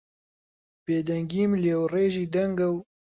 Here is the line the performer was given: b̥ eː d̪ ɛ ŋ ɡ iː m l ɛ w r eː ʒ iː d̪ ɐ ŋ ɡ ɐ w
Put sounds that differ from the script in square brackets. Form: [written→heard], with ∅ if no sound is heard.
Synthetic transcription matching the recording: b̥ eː d̪ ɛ ŋ ɡ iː m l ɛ w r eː ʒ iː d̪ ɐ ŋ ɡ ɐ w